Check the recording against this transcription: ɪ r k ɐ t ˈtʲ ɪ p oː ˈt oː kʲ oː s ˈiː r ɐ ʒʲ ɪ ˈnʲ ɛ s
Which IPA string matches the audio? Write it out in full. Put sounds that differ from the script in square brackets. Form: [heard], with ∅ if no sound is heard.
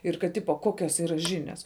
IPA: ɪ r k ɐ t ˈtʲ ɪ p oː [ˈk] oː kʲ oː s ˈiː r ɐ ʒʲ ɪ ˈnʲ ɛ s